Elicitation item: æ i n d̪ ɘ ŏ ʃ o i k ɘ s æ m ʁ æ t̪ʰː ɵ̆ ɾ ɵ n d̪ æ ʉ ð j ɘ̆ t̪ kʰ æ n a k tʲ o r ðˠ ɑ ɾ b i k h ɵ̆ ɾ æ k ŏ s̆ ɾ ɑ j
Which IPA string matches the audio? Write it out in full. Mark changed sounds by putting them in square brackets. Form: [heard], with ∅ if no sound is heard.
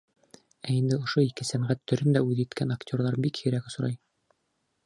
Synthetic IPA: æ i n d̪ ɘ ŏ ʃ o i k ɘ s æ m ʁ æ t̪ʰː ɵ̆ ɾ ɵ n d̪ æ ʉ ð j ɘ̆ t̪ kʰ æ n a k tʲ o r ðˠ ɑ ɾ b i k h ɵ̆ ɾ æ k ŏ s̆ ɾ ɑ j